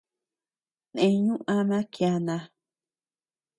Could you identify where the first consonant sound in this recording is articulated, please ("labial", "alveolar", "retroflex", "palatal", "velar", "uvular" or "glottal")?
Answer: alveolar